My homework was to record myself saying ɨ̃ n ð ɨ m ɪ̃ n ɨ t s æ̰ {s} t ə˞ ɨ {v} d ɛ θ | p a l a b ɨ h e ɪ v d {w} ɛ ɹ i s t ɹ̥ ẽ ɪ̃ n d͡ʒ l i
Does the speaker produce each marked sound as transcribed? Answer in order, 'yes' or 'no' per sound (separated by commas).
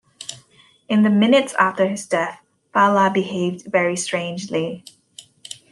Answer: no, no, no